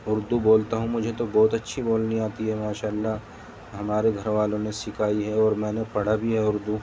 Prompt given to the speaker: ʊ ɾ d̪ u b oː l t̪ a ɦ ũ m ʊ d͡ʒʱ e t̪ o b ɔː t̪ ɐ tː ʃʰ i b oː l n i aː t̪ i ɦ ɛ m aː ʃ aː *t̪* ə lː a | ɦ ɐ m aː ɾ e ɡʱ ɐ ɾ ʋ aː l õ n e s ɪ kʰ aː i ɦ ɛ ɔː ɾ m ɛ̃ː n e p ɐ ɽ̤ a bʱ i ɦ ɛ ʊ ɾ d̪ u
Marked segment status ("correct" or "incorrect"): incorrect